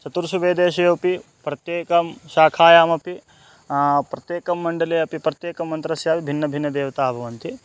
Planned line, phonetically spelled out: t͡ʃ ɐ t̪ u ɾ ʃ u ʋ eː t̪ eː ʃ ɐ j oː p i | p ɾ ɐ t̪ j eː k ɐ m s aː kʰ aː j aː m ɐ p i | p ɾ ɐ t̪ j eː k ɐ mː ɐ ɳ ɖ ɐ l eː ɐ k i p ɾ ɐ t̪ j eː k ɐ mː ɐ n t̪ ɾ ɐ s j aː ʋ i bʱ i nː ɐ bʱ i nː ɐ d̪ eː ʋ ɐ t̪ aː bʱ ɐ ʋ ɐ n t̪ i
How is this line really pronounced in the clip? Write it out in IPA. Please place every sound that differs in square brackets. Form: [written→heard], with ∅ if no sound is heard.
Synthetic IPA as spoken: t͡ʃ ɐ t̪ u ɾ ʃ u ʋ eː [t̪→d̪] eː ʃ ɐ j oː p i | p ɾ ɐ t̪ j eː k ɐ m [s→ʃ] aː kʰ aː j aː m ɐ p i | p ɾ ɐ t̪ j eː k ɐ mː ɐ ɳ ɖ ɐ l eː ɐ [k→p] i p ɾ ɐ t̪ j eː k ɐ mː ɐ n t̪ ɾ ɐ s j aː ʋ i bʱ i nː ɐ bʱ i nː ɐ d̪ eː ʋ ɐ t̪ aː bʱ ɐ ʋ ɐ n t̪ i